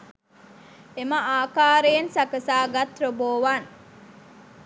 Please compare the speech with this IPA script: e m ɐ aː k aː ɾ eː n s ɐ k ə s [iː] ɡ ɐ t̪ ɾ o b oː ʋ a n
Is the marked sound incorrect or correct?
incorrect: aː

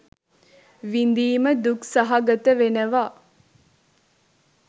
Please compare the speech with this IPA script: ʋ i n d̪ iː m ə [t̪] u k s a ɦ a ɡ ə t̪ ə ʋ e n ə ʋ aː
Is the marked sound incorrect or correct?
incorrect: d̪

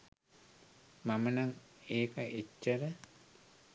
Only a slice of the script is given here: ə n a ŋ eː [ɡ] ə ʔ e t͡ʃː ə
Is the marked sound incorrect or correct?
incorrect: k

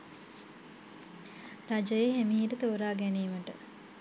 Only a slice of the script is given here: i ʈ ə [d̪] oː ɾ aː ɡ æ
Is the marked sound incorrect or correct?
incorrect: t̪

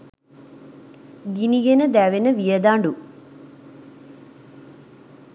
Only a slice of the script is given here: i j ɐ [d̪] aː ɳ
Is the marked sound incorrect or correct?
correct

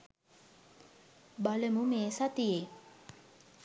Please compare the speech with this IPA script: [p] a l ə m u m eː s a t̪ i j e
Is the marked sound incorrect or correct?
incorrect: b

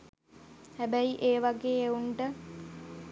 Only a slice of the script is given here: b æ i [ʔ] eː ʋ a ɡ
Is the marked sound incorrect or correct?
correct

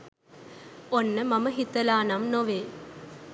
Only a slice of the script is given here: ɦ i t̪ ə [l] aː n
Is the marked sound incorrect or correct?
correct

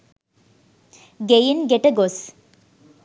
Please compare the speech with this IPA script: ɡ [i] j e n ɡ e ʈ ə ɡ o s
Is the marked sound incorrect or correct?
incorrect: e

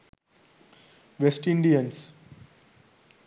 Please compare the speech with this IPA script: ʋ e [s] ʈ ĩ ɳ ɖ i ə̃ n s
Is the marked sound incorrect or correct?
correct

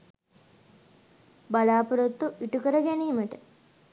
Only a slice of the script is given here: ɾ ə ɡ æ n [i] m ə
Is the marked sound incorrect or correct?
incorrect: iː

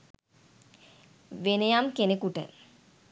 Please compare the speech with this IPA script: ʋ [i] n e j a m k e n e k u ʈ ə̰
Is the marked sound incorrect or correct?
incorrect: e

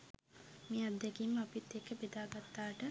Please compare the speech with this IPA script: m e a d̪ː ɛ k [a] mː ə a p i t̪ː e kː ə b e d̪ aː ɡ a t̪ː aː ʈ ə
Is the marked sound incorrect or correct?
incorrect: i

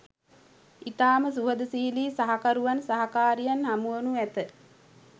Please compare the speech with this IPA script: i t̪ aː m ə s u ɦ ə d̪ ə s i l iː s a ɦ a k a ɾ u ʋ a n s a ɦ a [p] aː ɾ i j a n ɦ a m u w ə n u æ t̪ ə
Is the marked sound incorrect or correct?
incorrect: k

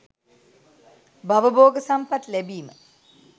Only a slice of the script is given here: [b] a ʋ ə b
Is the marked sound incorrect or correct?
correct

